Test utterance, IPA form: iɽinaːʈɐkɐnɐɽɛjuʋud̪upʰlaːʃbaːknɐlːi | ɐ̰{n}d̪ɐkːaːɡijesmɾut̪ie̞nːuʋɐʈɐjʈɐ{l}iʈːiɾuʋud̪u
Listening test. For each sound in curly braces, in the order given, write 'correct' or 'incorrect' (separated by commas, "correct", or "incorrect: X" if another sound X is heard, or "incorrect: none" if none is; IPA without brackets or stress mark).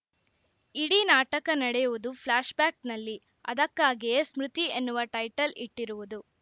incorrect: none, correct